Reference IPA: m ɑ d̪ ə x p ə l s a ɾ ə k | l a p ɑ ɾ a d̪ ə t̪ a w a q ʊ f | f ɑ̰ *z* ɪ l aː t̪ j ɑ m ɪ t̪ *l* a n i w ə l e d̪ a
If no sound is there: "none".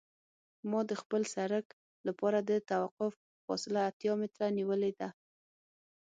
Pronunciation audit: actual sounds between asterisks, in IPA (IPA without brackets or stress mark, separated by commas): s, ɾ